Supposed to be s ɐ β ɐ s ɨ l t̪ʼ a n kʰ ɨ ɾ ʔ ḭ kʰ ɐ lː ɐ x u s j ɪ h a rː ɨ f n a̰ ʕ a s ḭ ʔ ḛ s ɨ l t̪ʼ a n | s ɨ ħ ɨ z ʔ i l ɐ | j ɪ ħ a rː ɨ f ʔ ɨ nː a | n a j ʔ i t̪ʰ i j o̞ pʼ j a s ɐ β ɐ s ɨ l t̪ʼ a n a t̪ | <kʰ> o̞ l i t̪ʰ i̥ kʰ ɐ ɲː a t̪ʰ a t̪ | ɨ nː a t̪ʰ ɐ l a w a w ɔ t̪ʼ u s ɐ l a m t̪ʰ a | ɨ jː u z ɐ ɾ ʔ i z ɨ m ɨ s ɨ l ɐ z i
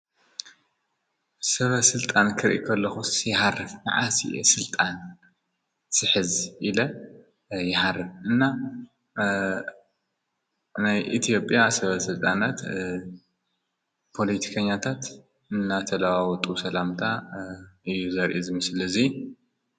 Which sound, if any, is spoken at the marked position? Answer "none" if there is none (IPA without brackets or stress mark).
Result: pʰ